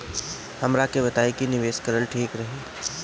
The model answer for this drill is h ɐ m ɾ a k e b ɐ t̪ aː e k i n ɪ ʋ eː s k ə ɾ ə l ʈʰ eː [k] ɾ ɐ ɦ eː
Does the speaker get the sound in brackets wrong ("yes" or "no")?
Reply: no